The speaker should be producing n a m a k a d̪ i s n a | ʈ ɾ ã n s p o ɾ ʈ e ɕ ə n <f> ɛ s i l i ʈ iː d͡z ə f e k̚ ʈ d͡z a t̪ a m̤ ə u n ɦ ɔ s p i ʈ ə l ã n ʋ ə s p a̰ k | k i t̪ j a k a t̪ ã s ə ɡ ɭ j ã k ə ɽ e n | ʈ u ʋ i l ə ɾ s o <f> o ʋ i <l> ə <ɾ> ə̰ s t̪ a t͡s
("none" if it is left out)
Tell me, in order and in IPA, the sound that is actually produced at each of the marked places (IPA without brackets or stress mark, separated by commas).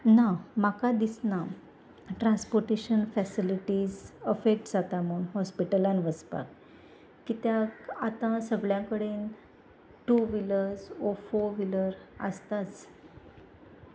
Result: f, f, l, ɾ